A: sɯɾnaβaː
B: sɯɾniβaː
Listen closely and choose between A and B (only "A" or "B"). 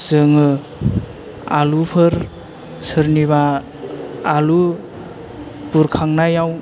B